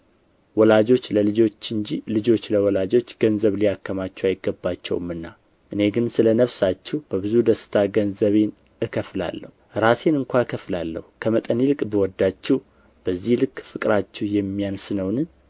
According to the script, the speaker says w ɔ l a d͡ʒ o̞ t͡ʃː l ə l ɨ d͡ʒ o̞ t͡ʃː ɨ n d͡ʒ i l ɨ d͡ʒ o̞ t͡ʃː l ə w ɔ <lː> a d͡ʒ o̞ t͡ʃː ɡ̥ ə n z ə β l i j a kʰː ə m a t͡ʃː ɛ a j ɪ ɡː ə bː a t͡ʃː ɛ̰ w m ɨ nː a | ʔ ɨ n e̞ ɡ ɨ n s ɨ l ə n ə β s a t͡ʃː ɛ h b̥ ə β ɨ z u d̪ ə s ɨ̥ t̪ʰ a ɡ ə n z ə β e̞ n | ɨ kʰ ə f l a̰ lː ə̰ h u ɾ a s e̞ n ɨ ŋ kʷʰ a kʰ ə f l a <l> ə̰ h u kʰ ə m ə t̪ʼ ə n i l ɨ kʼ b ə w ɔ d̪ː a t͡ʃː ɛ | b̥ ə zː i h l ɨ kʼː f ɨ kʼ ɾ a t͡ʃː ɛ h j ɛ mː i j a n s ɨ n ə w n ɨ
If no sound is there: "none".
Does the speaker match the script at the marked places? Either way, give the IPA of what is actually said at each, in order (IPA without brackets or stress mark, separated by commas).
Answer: l, lː